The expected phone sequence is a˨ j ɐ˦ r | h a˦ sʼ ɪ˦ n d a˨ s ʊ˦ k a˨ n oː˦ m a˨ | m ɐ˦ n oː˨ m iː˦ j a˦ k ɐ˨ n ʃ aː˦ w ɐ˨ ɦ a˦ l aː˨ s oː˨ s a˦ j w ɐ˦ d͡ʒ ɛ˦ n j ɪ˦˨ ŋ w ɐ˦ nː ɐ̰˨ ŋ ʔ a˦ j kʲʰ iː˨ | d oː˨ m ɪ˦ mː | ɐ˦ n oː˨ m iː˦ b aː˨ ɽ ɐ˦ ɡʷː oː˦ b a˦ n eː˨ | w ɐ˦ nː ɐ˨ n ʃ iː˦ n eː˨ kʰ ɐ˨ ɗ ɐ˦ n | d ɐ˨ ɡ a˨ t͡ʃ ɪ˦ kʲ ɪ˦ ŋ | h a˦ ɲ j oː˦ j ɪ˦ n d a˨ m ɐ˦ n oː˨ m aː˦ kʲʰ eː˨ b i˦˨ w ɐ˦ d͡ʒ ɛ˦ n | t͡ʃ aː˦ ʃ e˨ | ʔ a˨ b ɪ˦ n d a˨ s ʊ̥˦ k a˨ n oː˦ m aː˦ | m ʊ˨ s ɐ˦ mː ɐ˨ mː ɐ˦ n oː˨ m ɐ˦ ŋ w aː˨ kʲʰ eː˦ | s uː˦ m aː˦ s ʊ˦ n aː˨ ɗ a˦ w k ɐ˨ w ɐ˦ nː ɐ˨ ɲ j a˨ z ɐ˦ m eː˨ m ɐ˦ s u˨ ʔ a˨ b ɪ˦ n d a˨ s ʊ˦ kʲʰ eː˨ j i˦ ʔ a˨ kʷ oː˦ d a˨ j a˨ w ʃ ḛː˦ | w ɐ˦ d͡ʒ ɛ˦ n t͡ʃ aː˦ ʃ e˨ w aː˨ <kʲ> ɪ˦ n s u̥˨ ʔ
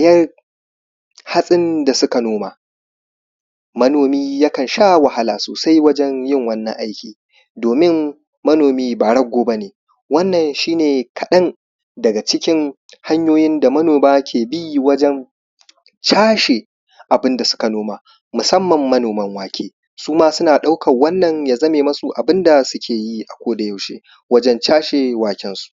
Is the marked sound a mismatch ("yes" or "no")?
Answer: no